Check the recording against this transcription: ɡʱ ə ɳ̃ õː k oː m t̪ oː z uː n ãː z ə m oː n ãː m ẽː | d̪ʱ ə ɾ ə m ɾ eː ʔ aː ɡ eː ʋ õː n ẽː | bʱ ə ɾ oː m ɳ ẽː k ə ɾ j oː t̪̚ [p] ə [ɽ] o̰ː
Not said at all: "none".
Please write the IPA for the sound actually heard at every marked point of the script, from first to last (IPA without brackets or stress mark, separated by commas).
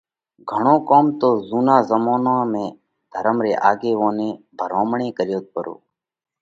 p, ɾ